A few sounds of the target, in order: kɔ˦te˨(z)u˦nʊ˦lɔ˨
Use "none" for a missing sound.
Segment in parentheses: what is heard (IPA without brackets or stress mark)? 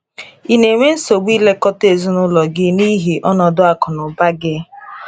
z